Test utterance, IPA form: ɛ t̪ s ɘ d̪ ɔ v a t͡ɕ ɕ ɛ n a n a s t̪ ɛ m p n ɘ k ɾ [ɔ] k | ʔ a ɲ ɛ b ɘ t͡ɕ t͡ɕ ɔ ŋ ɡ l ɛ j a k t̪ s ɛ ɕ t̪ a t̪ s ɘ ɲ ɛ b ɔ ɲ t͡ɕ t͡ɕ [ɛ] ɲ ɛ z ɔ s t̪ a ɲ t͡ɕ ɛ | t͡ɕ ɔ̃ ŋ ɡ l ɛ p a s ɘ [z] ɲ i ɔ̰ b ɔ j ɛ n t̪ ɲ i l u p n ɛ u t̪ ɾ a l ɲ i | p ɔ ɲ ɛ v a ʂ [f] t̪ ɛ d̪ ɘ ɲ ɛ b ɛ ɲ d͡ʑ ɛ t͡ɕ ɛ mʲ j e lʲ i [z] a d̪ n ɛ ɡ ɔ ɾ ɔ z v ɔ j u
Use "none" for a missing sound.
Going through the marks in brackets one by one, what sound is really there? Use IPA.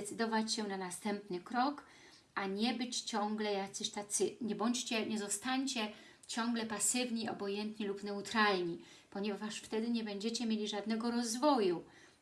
ɔ, ɛ, v, f, ʐ

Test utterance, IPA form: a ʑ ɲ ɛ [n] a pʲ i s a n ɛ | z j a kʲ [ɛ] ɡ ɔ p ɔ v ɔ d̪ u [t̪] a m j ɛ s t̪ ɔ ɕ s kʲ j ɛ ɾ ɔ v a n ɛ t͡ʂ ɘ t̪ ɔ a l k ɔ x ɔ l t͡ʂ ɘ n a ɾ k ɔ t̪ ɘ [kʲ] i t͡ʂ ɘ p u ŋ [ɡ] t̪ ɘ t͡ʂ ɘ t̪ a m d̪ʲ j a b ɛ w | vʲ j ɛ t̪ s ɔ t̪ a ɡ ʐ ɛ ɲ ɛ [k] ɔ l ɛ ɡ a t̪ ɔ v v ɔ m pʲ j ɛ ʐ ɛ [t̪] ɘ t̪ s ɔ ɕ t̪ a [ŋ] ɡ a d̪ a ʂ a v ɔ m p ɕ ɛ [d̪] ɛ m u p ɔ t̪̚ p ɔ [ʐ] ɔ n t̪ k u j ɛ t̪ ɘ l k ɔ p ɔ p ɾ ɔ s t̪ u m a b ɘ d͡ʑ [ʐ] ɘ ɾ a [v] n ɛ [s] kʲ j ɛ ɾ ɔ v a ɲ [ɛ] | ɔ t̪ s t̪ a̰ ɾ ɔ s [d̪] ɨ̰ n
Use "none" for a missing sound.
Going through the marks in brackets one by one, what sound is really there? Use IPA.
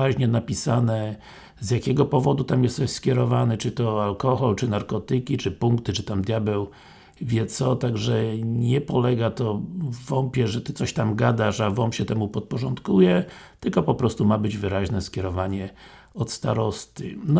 n, ɛ, t̪, kʲ, k, p, t̪, m, t̪, ʐ, v, ʑ, s, ɛ, t̪

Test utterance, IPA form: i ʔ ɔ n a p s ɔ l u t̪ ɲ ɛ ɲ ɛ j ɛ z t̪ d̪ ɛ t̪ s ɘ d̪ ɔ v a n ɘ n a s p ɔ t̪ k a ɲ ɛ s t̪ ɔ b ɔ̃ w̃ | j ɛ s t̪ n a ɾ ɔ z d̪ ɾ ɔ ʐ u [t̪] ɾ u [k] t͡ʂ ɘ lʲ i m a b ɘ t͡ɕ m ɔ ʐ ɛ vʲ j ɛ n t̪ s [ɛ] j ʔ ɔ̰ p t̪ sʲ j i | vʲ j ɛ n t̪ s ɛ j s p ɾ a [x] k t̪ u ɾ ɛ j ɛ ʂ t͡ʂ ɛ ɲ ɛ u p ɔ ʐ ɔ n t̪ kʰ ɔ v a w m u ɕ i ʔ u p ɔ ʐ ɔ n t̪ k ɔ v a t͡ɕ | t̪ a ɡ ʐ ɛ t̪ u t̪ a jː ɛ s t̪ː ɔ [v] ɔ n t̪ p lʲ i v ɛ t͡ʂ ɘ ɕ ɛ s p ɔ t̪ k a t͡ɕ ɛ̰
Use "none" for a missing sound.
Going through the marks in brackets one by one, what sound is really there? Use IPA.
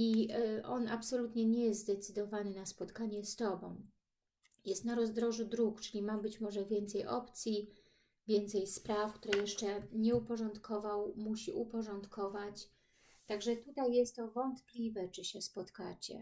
d̪, k, ɛ, f, v

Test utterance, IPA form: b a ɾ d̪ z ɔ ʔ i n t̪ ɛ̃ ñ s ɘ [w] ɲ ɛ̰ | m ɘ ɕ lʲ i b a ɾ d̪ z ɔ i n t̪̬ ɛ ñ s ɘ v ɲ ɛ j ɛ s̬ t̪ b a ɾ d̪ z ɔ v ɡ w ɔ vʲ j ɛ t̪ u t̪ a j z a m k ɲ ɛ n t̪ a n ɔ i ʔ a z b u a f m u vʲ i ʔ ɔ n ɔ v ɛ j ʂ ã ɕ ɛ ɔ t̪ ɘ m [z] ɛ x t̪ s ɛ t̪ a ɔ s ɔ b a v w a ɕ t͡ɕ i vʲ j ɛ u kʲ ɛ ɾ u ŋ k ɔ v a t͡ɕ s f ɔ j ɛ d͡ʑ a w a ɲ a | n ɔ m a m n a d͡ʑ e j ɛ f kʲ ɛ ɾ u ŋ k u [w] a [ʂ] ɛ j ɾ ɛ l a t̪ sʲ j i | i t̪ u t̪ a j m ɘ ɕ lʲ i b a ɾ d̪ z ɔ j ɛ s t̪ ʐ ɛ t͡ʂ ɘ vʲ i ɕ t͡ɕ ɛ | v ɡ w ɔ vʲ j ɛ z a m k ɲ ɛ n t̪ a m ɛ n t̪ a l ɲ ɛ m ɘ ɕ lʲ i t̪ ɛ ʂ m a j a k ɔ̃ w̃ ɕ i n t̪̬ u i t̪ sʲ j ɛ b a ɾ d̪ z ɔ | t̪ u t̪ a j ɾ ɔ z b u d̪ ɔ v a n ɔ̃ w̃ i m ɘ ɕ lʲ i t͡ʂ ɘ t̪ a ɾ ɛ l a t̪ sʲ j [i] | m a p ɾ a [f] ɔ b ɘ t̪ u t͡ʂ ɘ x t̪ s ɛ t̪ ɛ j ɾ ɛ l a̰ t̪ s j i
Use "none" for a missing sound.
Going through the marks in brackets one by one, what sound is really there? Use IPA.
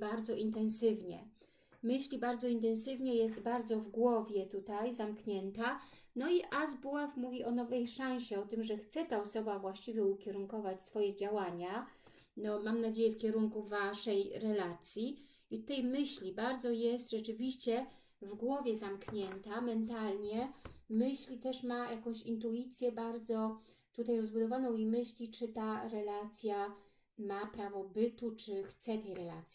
v, ʐ, v, ʂ, a, v

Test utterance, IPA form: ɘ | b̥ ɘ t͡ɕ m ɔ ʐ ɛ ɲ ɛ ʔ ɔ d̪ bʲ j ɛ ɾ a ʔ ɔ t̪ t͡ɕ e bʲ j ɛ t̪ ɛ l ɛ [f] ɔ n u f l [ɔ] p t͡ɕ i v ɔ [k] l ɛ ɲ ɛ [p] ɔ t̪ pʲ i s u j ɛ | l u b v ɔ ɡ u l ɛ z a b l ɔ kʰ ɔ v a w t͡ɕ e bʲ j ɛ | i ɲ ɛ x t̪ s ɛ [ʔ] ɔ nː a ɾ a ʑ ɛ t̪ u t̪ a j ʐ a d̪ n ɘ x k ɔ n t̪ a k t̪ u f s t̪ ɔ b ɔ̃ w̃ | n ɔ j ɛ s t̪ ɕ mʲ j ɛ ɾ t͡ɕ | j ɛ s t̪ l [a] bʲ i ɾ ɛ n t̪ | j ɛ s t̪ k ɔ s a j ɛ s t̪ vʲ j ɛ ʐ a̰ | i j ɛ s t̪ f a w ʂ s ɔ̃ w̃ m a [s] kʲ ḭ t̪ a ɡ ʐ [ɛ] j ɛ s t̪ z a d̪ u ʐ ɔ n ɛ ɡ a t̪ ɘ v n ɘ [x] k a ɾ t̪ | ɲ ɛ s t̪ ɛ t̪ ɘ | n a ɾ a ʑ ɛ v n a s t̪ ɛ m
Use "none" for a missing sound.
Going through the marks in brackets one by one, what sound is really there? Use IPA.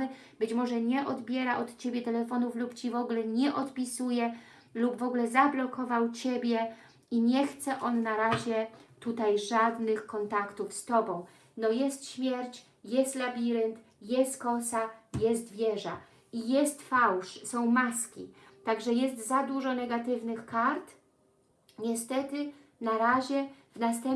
f, u, ɡ, ʔ, ʔ, a, s, ɛ, x

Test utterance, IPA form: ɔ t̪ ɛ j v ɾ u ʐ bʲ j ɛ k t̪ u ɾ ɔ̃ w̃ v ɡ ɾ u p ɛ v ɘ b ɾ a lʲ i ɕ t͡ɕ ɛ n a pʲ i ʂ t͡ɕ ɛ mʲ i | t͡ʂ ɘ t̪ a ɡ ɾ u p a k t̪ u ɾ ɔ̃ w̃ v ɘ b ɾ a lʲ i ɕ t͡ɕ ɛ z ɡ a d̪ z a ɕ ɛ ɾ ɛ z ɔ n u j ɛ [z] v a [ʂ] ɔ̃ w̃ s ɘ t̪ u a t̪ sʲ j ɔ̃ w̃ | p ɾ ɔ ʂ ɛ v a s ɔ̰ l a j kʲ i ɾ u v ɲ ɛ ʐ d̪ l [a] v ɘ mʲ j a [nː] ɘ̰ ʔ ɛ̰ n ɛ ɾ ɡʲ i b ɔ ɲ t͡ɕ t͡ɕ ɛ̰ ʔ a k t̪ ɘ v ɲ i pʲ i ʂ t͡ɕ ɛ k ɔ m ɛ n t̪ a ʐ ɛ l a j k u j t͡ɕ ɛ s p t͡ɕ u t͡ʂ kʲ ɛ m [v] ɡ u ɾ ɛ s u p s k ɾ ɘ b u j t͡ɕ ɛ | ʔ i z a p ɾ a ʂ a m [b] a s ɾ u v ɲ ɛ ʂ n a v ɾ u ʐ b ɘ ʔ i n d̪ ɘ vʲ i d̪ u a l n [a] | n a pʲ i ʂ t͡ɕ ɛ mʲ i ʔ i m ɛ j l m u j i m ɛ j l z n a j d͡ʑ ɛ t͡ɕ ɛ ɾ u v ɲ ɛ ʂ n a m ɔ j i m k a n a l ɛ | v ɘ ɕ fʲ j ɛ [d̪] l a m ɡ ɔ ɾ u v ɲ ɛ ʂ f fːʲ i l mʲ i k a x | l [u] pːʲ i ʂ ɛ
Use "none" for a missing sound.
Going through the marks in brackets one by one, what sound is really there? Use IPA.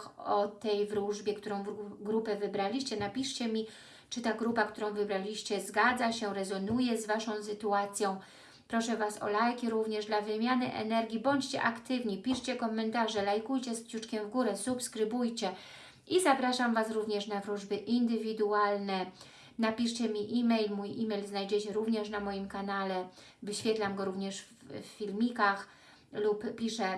z, ʂ, a, n, v, v, ɛ, t̪, u

